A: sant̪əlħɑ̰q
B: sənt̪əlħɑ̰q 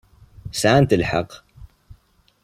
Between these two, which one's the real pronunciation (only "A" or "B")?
A